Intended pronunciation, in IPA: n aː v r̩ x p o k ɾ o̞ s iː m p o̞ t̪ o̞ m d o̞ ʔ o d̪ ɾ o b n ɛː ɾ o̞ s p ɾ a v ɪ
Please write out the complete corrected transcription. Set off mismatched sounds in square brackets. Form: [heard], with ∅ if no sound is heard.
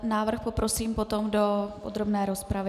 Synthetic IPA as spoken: n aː v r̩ x p o [p] ɾ o̞ s iː m p o̞ t̪ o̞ m d o̞ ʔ o d̪ ɾ o b n ɛː ɾ o̞ s p ɾ a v ɪ